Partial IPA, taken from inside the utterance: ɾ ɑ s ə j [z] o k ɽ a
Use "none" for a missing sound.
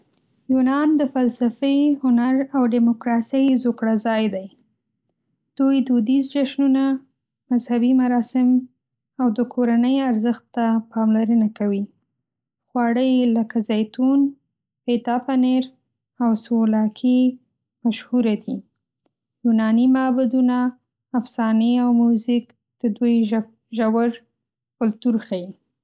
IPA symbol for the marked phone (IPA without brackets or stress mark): z